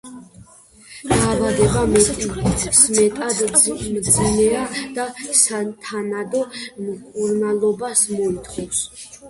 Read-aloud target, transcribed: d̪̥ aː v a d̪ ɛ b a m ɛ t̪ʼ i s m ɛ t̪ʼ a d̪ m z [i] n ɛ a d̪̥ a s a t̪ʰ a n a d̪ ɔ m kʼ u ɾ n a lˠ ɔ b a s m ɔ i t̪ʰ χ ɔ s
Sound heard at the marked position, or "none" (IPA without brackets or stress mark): i